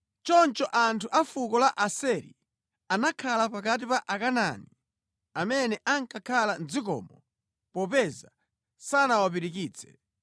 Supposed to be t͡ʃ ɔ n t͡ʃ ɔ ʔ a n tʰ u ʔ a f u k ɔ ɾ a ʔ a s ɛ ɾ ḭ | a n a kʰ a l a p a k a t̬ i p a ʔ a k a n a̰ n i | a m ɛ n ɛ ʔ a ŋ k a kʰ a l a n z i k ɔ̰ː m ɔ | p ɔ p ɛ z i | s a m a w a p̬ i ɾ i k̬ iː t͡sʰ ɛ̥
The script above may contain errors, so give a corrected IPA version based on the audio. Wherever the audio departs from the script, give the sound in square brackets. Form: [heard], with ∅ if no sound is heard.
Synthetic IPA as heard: t͡ʃ ɔ n t͡ʃ ɔ ʔ a n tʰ u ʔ a f u k ɔ [l] a ʔ a s ɛ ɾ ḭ | a n a kʰ a l a p a k a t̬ i p a ʔ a k a n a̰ n i | a m ɛ n ɛ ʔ a ŋ k a kʰ a l a n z i k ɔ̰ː m ɔ | p ɔ p ɛ z [a] | s a [n] a w a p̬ i ɾ i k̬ iː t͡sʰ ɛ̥